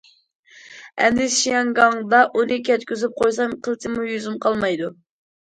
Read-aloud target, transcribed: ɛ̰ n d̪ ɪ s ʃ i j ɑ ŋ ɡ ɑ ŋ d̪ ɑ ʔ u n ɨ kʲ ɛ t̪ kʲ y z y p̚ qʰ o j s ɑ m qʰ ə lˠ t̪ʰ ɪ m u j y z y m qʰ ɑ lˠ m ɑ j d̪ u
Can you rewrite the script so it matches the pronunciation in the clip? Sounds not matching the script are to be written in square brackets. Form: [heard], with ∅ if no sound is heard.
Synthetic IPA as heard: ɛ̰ n d̪ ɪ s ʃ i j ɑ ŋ ɡ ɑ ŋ d̪ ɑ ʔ u n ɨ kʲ ɛ t̪ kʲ y z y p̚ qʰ o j s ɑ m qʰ ə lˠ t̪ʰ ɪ m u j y z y m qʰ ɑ lˠ m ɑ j d̪ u